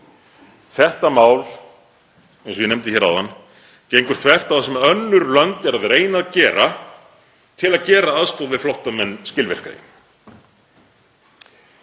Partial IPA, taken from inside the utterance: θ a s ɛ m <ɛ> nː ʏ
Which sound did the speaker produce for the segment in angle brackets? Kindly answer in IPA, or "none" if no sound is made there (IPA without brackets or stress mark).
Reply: œ